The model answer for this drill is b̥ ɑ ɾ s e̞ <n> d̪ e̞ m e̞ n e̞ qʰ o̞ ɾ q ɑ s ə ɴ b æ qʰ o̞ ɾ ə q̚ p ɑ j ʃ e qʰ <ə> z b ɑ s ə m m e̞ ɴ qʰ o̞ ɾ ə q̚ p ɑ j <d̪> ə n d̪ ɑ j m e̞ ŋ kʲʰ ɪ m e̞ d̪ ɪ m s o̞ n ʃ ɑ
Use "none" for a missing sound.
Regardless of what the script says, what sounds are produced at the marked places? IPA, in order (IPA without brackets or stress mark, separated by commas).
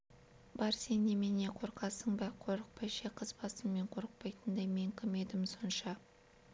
n, ə, t̪